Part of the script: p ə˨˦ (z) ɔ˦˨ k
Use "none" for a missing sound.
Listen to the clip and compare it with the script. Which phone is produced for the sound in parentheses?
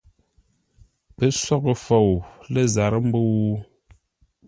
s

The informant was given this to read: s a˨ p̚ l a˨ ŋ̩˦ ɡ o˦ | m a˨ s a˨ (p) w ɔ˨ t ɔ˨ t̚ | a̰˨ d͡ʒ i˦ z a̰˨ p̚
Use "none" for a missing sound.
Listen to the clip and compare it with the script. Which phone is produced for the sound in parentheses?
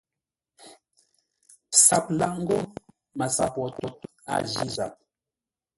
p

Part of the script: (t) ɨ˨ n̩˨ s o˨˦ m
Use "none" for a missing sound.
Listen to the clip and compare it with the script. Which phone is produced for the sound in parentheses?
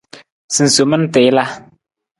s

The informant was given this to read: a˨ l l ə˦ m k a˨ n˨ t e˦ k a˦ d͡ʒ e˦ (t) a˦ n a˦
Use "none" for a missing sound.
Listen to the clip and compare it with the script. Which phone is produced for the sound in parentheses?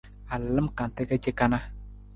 k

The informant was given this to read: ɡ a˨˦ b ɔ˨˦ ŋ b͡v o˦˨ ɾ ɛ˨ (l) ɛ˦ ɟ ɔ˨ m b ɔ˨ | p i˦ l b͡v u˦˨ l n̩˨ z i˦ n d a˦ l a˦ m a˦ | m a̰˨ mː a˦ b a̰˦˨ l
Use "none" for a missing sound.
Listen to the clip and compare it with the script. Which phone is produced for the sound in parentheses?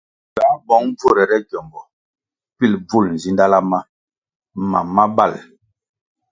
ɾ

